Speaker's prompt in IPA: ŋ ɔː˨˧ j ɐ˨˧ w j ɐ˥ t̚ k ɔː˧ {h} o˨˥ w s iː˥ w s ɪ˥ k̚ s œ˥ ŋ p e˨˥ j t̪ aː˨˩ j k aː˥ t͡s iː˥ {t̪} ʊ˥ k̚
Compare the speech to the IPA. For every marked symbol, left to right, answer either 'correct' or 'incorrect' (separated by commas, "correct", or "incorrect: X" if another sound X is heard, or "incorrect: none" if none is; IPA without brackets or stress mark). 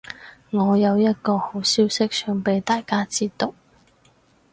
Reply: correct, correct